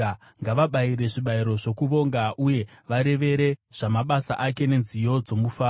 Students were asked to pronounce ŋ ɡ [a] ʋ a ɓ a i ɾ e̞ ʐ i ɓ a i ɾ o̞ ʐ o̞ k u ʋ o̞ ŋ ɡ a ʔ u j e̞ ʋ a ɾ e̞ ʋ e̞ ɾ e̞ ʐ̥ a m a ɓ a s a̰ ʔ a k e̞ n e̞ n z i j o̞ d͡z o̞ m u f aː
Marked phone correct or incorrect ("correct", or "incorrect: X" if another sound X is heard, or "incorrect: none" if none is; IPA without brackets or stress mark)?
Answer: correct